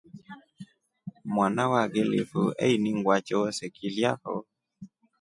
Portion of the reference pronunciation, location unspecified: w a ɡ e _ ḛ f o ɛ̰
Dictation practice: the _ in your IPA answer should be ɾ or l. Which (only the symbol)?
l